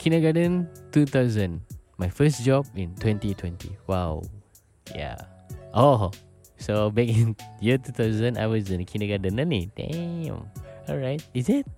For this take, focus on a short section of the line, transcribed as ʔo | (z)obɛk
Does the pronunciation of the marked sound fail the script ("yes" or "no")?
yes